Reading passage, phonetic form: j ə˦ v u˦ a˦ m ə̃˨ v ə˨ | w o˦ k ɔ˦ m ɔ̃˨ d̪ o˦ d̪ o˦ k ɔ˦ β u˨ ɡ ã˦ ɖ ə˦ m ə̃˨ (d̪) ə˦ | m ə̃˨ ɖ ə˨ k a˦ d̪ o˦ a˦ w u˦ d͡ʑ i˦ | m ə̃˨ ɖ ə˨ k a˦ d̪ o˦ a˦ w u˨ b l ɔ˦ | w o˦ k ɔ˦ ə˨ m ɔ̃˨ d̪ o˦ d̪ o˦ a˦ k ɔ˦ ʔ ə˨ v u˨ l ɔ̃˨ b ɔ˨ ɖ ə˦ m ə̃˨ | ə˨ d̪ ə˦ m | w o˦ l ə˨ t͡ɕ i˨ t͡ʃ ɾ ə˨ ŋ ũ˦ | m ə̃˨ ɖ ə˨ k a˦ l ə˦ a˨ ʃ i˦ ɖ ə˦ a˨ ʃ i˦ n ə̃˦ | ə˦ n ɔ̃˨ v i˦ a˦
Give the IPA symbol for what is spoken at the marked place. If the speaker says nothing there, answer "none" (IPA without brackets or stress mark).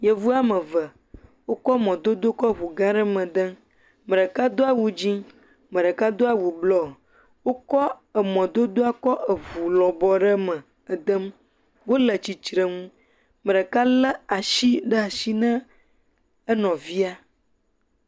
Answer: d̪